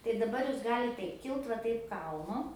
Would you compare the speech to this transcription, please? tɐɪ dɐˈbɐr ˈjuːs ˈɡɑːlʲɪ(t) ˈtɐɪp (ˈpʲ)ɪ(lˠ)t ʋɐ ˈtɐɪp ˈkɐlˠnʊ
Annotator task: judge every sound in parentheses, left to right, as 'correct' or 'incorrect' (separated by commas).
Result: correct, incorrect, correct